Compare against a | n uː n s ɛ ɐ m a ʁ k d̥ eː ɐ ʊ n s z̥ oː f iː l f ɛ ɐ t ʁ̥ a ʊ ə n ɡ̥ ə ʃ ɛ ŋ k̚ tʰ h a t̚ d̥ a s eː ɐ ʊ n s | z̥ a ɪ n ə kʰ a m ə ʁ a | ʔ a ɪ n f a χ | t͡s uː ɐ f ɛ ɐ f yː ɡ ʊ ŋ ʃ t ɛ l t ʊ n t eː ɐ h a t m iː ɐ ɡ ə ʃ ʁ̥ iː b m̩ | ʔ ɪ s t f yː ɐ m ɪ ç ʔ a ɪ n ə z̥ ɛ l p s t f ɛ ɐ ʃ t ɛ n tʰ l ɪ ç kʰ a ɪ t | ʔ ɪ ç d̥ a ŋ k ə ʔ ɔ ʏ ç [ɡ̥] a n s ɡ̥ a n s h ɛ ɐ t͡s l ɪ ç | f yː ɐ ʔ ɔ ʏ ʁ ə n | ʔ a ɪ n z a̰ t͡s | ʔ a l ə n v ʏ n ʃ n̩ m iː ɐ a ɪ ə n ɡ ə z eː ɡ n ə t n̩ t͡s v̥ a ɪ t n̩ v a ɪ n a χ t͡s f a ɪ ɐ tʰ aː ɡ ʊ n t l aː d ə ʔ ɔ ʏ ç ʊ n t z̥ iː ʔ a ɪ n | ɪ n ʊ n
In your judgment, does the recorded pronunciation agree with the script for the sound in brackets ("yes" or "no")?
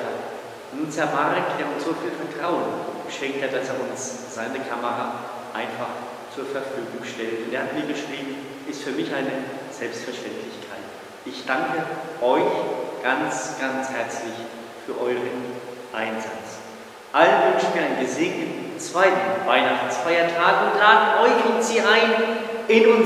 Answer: yes